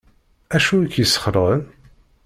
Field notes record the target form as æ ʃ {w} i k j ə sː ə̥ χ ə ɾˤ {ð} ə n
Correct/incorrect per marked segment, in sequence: incorrect: u, incorrect: ʁ

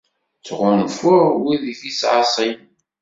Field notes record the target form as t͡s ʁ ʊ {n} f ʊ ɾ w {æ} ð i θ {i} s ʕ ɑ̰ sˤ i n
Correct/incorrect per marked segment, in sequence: correct, incorrect: i, correct

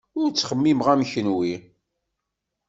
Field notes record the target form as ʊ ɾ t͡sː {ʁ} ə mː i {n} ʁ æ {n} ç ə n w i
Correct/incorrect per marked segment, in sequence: incorrect: χ, incorrect: m, incorrect: m

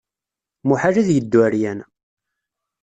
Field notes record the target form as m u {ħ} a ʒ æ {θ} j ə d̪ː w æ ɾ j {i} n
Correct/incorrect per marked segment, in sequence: correct, incorrect: ð, incorrect: æ

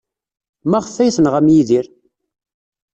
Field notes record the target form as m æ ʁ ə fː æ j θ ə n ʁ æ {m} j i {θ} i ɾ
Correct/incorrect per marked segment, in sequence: correct, incorrect: ð

